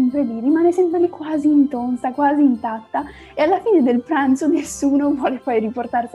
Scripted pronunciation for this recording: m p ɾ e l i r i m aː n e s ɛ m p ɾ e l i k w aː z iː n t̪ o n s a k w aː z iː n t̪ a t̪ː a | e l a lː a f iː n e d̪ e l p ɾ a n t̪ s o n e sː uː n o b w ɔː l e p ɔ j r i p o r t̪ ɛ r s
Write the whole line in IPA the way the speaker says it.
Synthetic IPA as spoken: m p ɾ e l i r i m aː n e s ɛ m p ɾ e l i k w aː z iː n t̪ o n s a k w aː z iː n t̪ a t̪ː a | e a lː a f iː n e d̪ e l p ɾ a n t̪ s o n e sː uː n o v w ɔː l e p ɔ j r i p o r t̪ a r s